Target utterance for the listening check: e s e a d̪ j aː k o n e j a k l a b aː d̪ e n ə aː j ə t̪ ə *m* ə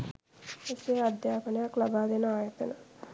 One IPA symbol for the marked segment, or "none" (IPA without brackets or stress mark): n